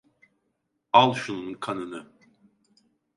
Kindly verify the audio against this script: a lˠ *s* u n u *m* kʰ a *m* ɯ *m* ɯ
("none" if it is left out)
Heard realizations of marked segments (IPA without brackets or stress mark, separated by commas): ʃ, n, n, n